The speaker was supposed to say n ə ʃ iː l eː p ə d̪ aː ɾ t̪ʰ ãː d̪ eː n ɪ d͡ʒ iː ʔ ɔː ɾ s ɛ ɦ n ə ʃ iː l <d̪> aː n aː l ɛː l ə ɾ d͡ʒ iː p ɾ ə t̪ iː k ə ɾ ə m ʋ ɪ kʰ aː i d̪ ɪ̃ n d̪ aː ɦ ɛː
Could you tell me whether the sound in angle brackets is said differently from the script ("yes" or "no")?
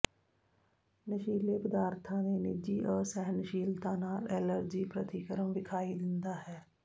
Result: yes